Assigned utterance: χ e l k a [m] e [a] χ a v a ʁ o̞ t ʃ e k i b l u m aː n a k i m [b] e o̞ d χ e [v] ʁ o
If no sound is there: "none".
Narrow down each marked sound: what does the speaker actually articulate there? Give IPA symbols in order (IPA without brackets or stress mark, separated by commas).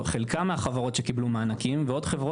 m, a, v, v